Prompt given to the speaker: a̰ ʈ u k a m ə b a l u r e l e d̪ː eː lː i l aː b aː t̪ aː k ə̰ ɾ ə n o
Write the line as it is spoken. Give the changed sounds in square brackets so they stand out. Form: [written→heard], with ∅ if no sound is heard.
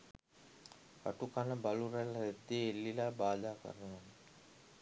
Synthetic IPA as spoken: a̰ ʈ u k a [m→n] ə b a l u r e l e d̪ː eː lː i l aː b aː [t̪→d̪] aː k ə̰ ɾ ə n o